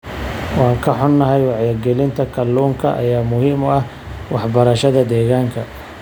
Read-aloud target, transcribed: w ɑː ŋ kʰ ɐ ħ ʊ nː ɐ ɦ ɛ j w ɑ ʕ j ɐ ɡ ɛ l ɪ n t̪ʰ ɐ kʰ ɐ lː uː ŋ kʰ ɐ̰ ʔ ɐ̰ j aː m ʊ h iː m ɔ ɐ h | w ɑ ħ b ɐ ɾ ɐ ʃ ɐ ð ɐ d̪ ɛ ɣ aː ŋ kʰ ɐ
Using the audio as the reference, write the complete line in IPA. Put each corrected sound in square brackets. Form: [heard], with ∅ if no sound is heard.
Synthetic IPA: w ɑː ŋ kʰ ɐ ħ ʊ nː ɐ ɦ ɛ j w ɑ ʕ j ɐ ɡ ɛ l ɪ n t̪ʰ ɐ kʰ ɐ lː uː ŋ kʰ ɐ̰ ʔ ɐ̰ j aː m ʊ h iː m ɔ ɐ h | w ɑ ħ b ɐ ɾ ɐ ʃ ɐ ð ɐ d̪ [ɛː] ɣ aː ŋ kʰ ɐ